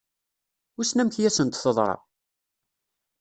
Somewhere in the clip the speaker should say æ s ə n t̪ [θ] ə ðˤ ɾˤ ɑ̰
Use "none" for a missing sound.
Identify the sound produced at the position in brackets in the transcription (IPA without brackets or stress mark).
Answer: θ